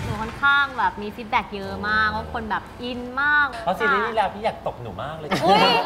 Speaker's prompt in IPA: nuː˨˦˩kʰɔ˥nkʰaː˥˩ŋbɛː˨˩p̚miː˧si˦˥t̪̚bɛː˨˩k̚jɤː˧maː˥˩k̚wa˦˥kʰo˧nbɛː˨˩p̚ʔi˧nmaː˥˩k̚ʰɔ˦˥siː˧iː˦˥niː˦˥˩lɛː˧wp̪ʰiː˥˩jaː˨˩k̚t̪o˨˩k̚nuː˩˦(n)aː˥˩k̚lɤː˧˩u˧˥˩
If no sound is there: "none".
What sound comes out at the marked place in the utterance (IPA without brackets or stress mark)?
m